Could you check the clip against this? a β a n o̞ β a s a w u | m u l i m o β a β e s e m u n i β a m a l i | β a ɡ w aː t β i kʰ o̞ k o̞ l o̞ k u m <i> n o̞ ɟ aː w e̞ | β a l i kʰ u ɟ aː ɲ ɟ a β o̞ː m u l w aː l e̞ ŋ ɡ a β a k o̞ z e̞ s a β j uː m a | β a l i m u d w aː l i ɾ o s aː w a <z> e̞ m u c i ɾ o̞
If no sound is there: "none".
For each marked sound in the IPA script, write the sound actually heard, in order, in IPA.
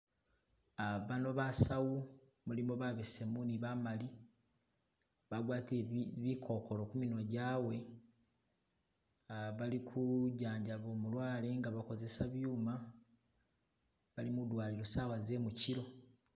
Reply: i, z

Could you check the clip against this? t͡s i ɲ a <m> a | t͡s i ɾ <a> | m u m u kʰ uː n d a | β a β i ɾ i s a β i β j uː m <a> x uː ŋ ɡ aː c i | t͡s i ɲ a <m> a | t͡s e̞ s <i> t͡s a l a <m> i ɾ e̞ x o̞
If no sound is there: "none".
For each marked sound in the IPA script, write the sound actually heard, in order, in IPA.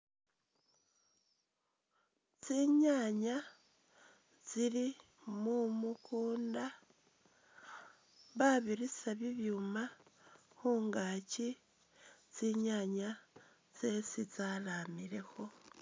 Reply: ɲ, i, a, ɲ, i, m

